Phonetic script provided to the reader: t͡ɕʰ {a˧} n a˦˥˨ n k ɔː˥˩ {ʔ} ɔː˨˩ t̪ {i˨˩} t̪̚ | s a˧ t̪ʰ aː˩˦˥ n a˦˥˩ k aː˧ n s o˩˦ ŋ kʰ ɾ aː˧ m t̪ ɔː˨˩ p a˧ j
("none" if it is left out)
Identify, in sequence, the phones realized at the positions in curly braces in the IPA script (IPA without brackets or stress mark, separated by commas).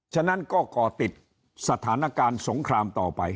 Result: a˥˩, k, i˨˩